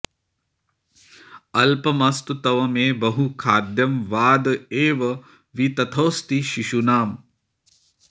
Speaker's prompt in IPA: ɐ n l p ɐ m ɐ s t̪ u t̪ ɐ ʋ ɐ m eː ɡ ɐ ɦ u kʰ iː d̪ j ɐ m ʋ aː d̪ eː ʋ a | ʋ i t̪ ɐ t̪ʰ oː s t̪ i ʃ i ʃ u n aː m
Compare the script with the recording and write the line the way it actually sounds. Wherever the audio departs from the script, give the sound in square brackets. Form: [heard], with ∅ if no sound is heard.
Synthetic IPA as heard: ɐ [∅] l p ɐ m ɐ s t̪ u t̪ ɐ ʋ ɐ m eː [b] ɐ ɦ u kʰ [aː] d̪ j ɐ m ʋ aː d̪ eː ʋ [ɐ] | ʋ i t̪ ɐ t̪ʰ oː s t̪ i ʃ i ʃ u n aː m